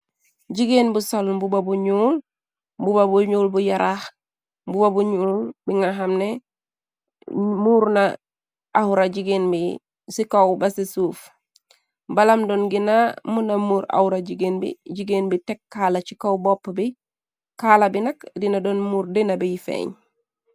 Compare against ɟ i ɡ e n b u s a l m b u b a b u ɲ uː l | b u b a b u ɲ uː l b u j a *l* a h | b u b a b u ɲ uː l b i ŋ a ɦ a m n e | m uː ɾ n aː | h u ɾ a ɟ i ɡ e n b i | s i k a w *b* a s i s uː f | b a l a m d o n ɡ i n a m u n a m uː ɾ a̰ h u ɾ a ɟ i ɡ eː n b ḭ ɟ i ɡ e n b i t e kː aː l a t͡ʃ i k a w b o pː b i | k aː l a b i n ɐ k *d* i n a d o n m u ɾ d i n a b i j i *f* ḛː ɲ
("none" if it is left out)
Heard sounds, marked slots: ɾ, b, d, f

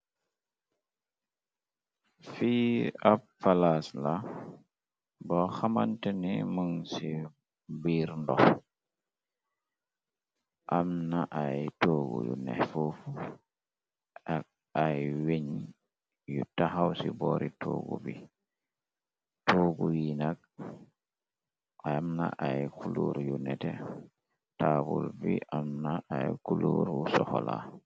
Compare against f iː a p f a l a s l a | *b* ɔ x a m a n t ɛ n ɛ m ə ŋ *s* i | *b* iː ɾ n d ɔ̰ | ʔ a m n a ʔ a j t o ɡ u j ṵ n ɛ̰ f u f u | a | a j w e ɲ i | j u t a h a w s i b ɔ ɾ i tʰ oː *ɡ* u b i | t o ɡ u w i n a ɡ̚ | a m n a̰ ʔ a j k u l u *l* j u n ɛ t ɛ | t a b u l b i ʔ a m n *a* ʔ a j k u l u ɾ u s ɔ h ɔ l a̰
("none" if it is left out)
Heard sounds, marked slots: b, s, b, ɡ, ɾ, a

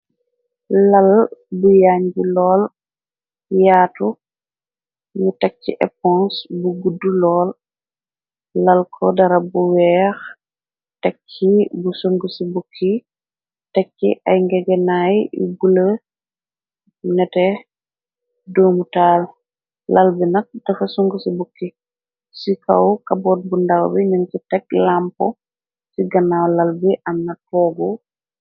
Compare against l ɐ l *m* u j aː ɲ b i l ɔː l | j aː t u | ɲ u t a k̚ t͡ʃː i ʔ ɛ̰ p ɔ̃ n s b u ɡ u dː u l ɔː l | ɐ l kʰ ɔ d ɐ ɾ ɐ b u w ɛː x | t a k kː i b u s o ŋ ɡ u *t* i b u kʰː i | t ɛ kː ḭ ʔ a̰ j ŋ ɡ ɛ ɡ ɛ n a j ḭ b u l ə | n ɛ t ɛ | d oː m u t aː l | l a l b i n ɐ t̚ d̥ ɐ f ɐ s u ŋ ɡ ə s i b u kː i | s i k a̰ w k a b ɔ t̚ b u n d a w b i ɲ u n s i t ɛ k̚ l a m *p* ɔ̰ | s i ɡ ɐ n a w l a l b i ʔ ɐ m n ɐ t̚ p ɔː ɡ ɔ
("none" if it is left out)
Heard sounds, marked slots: b, s, p

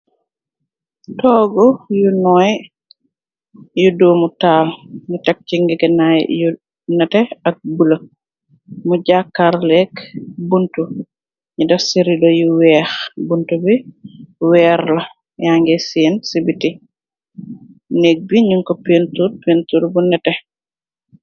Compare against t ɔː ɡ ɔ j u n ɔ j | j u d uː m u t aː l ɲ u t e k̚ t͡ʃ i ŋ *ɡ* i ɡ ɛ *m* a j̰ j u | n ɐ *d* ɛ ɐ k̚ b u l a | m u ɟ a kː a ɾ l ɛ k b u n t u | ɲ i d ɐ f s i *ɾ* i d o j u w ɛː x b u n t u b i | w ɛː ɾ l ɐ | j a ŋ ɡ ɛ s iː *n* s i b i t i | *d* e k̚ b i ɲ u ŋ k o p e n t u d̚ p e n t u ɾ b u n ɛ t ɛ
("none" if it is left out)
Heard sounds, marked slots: ɡ, n, t, ɾ, n, n

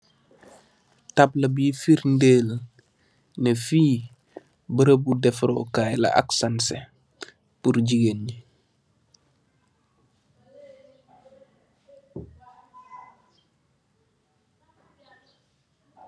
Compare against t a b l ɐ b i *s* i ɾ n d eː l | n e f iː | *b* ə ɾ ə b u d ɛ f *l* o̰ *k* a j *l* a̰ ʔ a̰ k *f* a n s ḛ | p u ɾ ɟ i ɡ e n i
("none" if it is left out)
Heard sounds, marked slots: f, b, ɾ, k, l, s

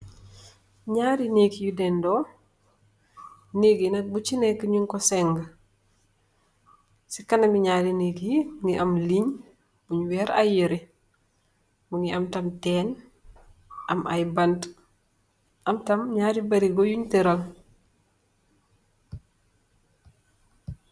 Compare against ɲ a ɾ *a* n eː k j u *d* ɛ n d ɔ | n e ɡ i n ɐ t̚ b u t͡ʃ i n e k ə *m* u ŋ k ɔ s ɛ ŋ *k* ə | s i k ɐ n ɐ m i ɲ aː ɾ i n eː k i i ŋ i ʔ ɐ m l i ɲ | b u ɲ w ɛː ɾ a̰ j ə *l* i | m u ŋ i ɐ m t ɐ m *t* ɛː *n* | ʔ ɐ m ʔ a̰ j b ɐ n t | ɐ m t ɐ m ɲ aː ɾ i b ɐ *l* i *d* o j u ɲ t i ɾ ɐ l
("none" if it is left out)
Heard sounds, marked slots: i, d, ɲ, ɡ, ɾ, t, n, ɾ, ɡ

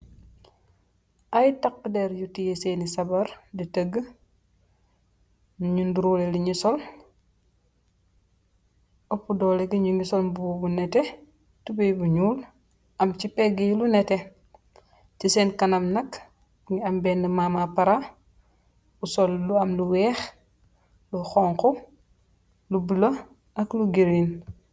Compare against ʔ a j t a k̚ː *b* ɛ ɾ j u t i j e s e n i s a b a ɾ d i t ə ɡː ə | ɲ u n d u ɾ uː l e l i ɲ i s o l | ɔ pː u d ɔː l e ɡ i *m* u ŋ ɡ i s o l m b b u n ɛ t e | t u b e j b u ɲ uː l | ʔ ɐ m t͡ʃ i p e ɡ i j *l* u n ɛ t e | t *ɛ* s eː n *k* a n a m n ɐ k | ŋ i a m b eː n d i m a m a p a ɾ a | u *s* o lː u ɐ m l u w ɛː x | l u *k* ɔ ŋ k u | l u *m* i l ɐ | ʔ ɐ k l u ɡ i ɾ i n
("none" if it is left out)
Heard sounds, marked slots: d, ɲ, l, i, k, s, x, b

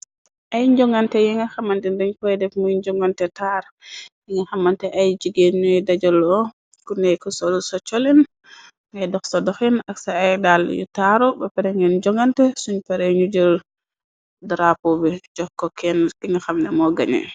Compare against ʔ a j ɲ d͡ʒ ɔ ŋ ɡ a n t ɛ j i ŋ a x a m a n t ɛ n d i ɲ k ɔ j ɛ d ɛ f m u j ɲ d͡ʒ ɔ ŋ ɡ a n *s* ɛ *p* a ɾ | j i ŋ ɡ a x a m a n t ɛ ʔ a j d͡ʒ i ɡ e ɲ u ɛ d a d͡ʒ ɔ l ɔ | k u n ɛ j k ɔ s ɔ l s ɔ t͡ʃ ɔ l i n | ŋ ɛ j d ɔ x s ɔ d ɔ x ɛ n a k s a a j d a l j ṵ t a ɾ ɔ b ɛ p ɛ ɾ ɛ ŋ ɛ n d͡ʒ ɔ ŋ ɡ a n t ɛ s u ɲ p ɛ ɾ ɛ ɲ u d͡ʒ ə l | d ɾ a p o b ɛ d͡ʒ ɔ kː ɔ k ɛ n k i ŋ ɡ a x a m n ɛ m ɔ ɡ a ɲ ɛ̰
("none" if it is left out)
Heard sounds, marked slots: t, t

